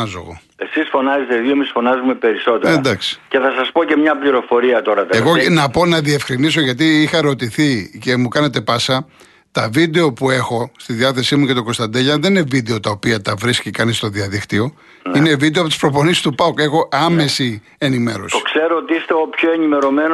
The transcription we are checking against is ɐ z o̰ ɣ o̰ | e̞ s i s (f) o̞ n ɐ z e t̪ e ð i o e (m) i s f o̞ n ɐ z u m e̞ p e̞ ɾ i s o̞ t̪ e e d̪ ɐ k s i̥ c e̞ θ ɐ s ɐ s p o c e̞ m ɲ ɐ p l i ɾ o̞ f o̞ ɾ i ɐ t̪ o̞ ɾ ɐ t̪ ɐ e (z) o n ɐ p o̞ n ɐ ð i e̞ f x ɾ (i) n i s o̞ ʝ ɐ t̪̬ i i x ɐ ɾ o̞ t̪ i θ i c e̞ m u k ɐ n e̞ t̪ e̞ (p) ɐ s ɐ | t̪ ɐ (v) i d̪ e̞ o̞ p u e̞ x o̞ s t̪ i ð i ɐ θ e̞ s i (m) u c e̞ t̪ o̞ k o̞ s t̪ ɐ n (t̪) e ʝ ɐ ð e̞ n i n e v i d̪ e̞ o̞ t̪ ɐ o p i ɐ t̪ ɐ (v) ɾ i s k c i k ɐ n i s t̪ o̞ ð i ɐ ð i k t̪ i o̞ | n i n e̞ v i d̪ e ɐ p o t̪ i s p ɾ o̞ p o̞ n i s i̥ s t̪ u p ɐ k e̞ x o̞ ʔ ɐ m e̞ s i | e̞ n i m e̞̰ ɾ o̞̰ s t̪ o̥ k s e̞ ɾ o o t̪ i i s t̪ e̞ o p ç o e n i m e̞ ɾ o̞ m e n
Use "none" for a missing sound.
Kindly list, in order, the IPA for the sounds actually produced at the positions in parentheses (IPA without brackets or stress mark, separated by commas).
f, m, ɣ, i, p, v, m, d̪, v